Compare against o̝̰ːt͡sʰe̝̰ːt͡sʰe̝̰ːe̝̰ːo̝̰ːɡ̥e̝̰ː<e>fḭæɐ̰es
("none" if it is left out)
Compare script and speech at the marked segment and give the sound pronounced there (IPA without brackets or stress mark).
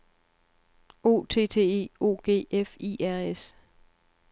e